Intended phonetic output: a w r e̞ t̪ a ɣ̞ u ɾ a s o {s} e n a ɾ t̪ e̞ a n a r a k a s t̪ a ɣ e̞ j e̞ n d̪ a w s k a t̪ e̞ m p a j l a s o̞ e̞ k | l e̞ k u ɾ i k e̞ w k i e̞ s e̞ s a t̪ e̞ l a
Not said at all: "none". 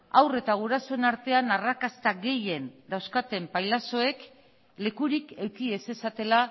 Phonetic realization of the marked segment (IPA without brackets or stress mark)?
none